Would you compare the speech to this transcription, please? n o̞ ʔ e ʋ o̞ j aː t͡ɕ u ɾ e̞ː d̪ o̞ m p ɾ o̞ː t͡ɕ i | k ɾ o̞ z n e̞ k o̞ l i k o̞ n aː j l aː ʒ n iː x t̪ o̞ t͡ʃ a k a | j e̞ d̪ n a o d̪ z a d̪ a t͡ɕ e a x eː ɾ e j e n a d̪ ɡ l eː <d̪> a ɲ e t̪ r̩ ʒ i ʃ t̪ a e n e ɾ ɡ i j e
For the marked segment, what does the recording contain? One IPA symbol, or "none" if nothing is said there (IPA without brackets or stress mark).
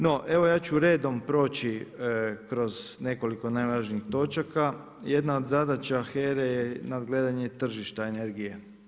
d̪